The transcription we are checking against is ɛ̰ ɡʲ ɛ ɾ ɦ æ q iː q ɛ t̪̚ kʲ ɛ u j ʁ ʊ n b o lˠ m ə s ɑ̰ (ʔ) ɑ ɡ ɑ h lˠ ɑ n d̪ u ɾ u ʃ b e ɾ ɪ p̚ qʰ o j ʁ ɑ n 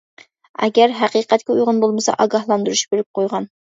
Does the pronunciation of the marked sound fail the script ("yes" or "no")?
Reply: no